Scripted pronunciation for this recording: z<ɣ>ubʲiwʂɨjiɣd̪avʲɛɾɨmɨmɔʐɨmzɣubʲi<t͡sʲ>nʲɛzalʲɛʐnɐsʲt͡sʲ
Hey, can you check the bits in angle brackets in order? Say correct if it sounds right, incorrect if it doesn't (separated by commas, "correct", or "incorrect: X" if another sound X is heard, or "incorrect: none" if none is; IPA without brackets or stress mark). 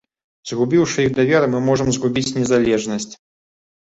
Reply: correct, correct